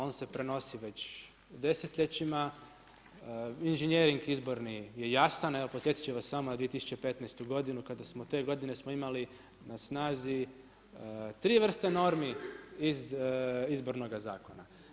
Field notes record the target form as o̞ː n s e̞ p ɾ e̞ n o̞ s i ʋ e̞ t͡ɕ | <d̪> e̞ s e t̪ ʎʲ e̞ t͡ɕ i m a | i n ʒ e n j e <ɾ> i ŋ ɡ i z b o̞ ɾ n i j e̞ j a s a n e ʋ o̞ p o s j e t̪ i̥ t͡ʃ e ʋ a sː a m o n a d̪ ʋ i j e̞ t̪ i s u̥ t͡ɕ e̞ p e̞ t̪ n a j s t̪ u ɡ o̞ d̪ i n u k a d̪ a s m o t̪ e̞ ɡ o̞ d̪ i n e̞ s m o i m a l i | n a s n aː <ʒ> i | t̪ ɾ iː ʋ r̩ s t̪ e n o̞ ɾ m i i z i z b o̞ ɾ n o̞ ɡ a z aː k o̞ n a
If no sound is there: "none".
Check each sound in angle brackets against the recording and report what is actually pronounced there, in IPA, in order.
d̪, ɾ, z

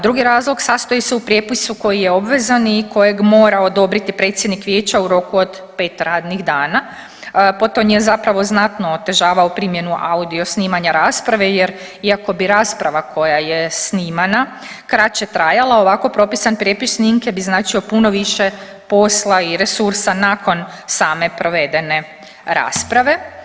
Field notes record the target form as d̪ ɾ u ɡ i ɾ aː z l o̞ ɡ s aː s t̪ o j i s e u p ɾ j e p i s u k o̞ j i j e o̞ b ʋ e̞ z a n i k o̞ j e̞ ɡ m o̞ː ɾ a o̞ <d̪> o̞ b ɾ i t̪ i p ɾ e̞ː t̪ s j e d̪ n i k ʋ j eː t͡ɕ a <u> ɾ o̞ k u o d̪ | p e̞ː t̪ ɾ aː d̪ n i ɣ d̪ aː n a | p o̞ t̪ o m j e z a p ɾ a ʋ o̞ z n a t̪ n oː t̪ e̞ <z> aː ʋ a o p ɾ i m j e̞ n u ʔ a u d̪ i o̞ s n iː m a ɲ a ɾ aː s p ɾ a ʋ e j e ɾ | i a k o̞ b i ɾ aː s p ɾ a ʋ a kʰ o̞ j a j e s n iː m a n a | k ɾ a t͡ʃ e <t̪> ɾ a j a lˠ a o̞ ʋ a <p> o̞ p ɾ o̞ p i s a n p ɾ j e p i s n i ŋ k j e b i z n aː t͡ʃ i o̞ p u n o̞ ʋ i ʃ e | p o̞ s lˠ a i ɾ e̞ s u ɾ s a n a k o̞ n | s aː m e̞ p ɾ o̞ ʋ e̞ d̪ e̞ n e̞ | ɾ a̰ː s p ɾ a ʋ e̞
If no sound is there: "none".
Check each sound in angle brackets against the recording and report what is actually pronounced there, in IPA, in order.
d̪, u, ʒ, t̪, k

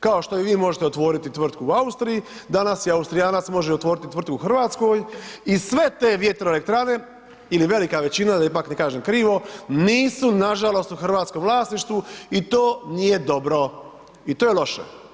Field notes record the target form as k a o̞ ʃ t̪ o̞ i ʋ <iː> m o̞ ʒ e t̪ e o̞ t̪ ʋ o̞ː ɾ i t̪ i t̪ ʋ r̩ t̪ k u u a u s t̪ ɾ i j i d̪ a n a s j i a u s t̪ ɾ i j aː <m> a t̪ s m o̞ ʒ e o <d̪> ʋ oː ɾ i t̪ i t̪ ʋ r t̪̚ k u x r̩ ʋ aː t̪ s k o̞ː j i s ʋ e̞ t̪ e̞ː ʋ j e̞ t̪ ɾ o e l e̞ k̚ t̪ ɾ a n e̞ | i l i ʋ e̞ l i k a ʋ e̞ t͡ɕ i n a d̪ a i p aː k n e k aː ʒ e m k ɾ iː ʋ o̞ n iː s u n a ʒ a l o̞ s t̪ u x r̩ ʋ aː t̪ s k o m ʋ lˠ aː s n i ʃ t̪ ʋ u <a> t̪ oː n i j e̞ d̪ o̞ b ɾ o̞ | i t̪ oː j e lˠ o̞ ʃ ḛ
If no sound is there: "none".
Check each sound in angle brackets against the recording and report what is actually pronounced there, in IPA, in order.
iː, n, t̪, i

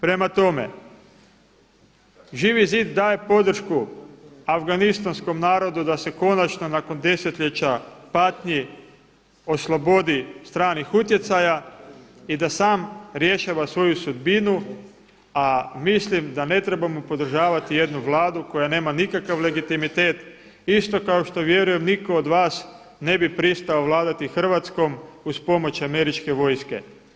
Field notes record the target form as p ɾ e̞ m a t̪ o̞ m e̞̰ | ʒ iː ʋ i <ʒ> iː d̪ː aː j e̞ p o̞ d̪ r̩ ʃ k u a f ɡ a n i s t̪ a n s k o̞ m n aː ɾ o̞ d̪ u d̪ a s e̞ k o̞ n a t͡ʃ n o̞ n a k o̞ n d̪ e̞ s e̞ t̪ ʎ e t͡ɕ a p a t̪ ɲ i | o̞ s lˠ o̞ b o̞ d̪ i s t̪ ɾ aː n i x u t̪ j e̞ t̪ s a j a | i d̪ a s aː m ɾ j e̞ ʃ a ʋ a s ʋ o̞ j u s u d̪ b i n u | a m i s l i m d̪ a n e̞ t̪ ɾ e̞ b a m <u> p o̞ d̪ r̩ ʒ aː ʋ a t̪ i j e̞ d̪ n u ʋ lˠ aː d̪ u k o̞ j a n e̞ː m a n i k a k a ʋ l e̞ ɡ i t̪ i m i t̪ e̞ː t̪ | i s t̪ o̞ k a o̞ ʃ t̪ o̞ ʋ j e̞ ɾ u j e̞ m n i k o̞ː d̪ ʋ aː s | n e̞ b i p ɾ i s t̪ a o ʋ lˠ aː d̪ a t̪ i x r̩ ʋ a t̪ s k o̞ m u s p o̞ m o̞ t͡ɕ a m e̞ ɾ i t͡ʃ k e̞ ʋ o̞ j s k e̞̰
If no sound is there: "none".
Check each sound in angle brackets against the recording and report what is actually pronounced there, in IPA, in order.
z, o

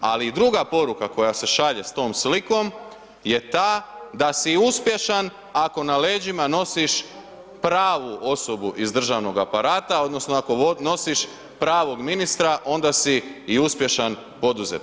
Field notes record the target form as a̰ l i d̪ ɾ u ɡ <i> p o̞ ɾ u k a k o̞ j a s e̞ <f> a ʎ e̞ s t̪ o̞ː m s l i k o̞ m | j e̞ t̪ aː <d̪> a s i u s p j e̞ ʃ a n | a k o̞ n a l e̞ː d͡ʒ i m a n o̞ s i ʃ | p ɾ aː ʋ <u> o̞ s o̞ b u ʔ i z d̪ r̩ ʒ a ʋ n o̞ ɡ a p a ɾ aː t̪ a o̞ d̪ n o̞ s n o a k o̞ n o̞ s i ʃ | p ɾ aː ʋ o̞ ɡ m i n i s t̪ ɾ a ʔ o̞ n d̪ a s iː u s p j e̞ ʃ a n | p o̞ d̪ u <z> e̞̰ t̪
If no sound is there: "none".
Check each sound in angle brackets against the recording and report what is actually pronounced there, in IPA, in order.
a, ʃ, d̪, u, z

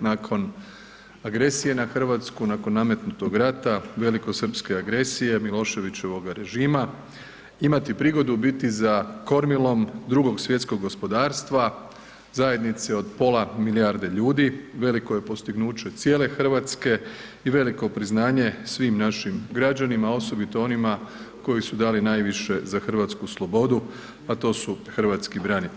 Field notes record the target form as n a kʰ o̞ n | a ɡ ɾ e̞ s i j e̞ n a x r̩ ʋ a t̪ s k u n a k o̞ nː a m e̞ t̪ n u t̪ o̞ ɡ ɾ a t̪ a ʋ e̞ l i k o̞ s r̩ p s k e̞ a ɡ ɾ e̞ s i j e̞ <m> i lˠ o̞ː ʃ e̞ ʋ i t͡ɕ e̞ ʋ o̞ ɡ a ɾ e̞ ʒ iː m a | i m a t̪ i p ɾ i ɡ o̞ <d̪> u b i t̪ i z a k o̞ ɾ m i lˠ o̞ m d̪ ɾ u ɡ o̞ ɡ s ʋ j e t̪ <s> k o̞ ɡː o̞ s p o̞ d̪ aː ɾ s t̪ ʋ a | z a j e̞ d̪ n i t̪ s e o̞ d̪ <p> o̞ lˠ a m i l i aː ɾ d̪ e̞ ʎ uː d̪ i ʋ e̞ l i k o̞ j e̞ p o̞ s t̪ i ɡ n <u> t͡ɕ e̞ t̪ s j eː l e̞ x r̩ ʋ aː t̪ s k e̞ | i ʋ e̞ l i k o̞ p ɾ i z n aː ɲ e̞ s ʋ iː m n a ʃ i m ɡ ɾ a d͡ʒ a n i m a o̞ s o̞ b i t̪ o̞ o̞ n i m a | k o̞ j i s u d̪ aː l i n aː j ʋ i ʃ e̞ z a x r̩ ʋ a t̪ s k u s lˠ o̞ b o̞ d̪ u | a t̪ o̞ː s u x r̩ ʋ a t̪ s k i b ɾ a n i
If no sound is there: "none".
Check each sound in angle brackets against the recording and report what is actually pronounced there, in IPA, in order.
m, d̪, s, p, uː

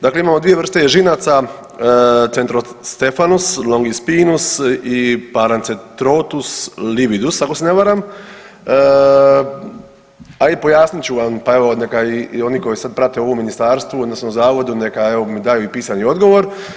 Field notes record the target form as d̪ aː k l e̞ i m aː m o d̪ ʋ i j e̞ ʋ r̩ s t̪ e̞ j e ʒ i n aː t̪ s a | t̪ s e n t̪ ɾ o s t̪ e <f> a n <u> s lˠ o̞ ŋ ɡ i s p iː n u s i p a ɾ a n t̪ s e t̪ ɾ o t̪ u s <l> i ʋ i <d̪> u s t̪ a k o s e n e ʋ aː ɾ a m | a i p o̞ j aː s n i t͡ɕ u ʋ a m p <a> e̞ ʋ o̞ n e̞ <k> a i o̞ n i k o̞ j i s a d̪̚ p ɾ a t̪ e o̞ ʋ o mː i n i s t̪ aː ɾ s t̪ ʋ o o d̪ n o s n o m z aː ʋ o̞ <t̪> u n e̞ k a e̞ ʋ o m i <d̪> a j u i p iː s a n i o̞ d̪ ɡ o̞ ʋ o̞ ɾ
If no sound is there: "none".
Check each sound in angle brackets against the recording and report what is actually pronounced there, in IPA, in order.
f, u, l, d̪, a, k, d̪, d̪

